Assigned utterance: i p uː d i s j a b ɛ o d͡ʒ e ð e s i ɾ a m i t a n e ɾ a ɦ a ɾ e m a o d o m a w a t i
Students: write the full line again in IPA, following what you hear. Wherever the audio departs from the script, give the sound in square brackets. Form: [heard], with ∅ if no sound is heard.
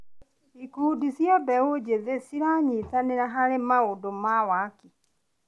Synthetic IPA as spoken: i [k] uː d i s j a b ɛ o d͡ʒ e ð e s i ɾ a [ɲ] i t a n e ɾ a ɦ a ɾ e m a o d o m a w a [k] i